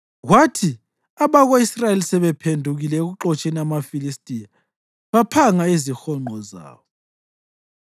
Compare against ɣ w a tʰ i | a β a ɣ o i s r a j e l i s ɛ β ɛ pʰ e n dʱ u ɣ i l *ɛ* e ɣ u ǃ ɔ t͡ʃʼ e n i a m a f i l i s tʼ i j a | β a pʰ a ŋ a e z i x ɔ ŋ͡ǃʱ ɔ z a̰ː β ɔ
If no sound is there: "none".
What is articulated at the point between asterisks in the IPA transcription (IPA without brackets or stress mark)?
ɛ